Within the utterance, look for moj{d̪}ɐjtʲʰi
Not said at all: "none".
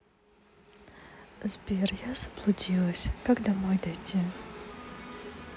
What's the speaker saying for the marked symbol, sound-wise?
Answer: d̪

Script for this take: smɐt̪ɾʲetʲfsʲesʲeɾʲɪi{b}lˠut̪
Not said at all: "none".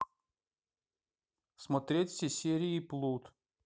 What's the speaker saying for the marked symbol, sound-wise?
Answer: p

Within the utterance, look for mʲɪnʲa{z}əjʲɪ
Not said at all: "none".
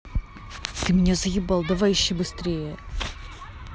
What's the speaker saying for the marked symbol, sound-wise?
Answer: z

